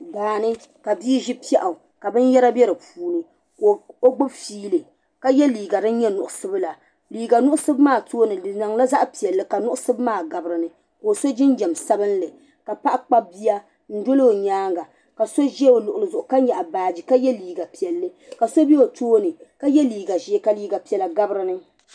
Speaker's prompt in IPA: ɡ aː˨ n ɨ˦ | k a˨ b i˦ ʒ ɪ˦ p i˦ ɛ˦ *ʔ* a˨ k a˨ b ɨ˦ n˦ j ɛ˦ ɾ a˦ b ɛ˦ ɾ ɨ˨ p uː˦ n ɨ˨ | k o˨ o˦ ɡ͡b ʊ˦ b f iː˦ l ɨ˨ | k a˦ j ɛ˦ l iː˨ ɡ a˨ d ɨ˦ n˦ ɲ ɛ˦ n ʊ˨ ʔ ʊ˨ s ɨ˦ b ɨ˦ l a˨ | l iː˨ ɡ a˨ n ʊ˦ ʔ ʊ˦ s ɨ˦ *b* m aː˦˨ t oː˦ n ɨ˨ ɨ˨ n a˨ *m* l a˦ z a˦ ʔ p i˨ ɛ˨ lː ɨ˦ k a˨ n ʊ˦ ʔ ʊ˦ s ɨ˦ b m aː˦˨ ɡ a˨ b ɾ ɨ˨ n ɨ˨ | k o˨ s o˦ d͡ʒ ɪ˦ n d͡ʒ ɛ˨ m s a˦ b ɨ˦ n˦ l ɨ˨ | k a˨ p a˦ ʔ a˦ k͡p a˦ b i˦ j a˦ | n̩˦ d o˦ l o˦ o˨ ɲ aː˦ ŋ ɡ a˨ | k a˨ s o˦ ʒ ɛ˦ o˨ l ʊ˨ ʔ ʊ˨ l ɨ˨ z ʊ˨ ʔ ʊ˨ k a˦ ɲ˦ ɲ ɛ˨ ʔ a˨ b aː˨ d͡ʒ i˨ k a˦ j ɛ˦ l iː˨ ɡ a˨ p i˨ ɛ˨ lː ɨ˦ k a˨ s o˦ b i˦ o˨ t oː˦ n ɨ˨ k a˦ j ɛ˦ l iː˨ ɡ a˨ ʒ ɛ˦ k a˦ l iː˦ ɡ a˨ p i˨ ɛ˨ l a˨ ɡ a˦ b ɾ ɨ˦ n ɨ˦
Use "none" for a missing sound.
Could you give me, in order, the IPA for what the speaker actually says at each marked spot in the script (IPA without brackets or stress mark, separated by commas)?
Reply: ʔ, b, ŋ